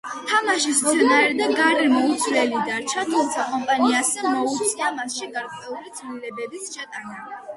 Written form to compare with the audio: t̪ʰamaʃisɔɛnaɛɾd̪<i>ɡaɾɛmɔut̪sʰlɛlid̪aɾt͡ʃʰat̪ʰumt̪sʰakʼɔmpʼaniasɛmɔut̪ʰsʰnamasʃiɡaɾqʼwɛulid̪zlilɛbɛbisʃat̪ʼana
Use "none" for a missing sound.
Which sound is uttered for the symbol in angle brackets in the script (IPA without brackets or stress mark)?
a